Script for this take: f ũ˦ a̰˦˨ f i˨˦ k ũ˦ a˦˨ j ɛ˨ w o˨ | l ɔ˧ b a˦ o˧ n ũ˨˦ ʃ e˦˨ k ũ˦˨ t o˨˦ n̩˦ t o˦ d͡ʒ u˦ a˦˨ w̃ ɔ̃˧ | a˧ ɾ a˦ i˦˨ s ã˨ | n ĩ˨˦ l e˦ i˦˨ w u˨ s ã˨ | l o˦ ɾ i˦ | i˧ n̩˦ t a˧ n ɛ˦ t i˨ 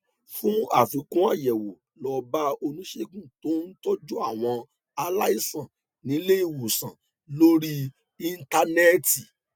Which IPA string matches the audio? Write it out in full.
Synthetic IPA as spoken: f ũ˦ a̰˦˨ f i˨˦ k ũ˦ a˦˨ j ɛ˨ w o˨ | l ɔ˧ b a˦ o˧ n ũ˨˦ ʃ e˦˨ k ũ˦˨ t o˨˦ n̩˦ t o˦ d͡ʒ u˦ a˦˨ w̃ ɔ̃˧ | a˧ l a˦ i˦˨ s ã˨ | n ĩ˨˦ l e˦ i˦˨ w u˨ s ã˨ | l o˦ ɾ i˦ | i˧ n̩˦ t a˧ n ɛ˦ t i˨

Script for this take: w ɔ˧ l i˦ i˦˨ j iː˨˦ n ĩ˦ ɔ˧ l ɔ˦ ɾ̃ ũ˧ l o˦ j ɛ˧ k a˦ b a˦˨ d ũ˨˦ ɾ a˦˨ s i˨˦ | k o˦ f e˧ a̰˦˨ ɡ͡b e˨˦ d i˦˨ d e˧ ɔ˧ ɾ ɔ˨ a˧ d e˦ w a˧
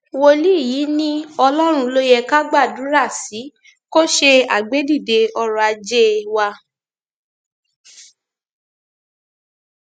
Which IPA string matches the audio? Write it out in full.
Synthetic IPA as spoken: w o˧ l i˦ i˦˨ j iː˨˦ n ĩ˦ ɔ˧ l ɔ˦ ɾ̃ ũ˧ l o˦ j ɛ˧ k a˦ ɡ͡b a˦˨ d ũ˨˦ ɾ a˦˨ s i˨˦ | k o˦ ʃ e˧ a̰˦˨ ɡ͡b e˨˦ d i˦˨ d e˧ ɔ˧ ɾ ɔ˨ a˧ d͡ʒ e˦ w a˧

